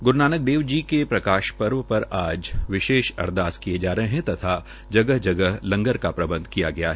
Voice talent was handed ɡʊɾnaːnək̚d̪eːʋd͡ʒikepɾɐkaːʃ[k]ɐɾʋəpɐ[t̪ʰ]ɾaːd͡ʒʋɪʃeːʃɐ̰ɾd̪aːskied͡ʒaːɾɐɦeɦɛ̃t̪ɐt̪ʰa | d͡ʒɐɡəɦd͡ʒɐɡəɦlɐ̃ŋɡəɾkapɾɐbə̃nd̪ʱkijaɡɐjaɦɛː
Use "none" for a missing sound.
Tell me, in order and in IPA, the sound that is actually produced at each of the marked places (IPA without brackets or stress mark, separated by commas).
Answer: p, none